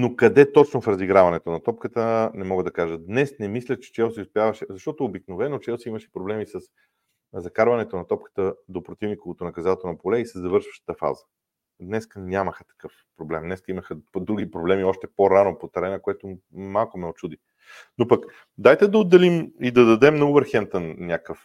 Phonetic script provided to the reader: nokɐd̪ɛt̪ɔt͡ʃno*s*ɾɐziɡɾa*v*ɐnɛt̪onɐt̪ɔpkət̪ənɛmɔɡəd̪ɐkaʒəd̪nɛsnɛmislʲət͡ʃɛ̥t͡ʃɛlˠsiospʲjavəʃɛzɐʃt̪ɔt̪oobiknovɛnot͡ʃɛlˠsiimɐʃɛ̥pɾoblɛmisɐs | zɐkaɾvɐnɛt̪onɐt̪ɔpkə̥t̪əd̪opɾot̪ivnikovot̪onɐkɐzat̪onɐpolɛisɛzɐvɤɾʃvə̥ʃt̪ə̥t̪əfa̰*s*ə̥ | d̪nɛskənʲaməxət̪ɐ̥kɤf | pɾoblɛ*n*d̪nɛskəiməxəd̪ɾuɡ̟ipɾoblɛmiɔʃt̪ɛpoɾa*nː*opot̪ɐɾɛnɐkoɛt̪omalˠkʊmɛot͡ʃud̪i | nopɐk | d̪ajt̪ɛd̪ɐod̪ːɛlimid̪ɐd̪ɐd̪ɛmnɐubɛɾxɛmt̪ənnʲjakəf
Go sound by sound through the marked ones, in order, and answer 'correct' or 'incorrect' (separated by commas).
incorrect, correct, incorrect, incorrect, incorrect